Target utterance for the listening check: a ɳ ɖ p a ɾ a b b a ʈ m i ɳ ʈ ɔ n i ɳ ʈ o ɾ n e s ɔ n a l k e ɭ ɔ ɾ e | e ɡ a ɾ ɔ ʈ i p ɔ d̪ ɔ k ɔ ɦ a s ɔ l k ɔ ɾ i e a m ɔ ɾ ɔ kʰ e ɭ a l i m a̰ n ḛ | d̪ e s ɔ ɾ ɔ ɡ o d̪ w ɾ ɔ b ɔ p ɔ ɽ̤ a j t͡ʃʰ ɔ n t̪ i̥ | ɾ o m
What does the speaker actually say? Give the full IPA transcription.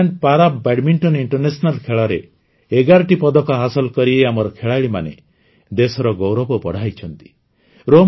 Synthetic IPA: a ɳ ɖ p a ɾ a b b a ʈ m i ɳ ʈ ɔ n i ɳ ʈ ɔ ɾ n e s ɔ n a l kʰ e ɭ ɔ ɾ e | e ɡ a ɾ ɔ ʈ i p ɔ d̪ ɔ k ɔ ɦ a s ɔ l k ɔ ɾ i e a m ɔ ɾ ɔ kʰ e ɭ a ɭ i m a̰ n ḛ | d̪ e s ɔ ɾ ɔ ɡ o w ɾ ɔ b ɔ p ɔ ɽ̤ a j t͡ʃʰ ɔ n t̪ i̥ | ɾ o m